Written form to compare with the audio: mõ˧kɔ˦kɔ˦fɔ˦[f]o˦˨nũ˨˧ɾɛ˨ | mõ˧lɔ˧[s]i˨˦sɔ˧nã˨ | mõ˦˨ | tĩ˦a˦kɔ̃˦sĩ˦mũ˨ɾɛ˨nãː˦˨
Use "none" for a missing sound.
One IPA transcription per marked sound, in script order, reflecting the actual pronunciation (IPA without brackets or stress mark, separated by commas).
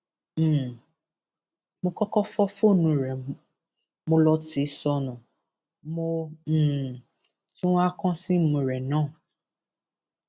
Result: f, t